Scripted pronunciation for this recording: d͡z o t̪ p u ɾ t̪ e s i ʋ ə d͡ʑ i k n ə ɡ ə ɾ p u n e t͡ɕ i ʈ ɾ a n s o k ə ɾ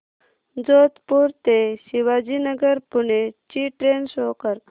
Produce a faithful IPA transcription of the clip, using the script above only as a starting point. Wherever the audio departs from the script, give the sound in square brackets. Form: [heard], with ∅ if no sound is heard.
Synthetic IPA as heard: d͡z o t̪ p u ɾ t̪ e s i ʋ [a] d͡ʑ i [∅] n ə ɡ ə ɾ p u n e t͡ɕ i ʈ ɾ [e] n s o k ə ɾ